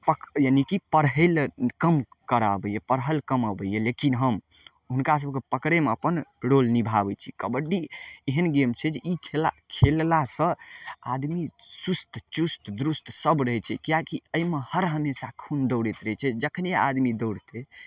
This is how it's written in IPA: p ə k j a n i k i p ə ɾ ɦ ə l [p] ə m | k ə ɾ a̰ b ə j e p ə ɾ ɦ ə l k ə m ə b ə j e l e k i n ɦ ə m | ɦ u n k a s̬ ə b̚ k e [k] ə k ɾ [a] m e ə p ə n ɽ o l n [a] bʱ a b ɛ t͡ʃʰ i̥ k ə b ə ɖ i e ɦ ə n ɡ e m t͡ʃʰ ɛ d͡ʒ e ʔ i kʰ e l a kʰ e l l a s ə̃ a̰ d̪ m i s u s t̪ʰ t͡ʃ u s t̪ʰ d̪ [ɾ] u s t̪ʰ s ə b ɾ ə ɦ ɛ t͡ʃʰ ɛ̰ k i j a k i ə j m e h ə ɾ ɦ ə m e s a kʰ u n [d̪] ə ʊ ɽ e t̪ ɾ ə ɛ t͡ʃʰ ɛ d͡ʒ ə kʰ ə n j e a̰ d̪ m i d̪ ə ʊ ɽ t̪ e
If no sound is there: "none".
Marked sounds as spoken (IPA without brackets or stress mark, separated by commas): k, p, e, i, ɾ, d̪